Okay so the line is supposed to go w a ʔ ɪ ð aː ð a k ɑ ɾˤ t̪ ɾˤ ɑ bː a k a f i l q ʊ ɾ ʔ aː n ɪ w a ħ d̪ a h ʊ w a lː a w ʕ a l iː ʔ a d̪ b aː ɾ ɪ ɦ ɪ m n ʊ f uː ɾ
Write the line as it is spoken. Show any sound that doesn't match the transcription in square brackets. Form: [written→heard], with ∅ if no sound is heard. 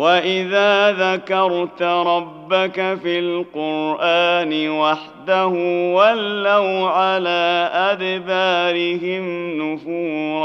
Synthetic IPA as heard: w a ʔ ɪ ð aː ð a k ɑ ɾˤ t̪ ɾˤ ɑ bː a k a f i l q ʊ ɾ ʔ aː n ɪ w a ħ d̪ a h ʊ w a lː a w ʕ a l [iː→aː] ʔ a d̪ b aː ɾ ɪ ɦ ɪ m n ʊ f uː ɾ